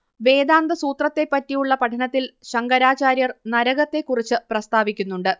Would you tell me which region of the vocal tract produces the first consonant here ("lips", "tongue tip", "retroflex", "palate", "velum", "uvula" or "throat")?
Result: lips